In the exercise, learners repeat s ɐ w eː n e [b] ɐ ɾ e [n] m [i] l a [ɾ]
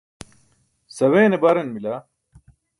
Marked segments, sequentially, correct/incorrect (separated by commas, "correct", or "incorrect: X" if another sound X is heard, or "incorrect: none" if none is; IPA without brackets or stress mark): correct, correct, correct, incorrect: none